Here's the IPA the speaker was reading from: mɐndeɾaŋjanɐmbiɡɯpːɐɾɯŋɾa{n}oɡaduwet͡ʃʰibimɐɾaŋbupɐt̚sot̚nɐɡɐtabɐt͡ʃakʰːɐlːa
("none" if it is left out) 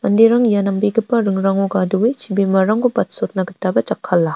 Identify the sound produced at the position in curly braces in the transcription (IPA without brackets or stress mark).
ŋ